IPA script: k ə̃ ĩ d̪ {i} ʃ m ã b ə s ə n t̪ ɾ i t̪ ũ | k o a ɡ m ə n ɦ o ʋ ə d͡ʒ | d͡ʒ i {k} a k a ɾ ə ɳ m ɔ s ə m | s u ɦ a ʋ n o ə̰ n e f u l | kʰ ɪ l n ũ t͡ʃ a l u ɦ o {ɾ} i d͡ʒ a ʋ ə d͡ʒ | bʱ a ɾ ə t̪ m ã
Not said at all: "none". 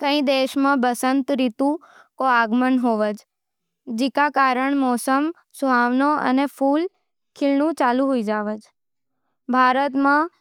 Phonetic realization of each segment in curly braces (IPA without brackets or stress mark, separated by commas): e, k, none